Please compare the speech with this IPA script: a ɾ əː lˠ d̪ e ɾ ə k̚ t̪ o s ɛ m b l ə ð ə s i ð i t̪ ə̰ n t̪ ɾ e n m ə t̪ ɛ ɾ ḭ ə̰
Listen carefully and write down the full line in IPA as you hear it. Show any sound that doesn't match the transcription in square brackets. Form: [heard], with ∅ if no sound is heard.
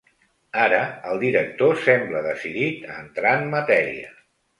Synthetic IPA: a ɾ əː lˠ d̪ [i] ɾ ə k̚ t̪ o s ɛ m b l ə ð ə s i ð i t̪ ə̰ n t̪ ɾ [a] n m ə t̪ ɛ ɾ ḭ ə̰